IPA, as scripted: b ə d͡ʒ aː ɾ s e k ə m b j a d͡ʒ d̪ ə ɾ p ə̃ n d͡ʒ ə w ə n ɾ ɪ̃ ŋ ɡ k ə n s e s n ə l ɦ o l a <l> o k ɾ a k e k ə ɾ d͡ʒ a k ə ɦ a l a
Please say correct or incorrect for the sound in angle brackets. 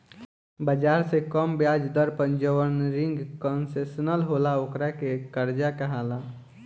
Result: incorrect